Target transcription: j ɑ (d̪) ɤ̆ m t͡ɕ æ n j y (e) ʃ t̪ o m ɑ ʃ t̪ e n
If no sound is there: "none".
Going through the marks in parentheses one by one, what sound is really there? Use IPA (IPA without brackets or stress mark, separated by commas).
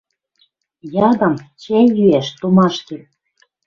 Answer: d̪, æ